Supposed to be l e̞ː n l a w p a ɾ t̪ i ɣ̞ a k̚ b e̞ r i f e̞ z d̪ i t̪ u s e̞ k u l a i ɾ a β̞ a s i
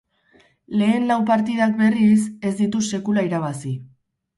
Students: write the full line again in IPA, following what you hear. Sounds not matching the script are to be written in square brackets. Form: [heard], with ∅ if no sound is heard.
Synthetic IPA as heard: l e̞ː n l a w p a ɾ t̪ i [ð̞] a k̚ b e̞ r i [s] e̞ z d̪ i t̪ u s e̞ k u l a i ɾ a β̞ a s i